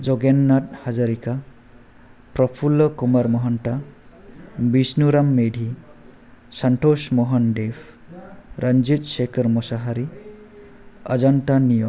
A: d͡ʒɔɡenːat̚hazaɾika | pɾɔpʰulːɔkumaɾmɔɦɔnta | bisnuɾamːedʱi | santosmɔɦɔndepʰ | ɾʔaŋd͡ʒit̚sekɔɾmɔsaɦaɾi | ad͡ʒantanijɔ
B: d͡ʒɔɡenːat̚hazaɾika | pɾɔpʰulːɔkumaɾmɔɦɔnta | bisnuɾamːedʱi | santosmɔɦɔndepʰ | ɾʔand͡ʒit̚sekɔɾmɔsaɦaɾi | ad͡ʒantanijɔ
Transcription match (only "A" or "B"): B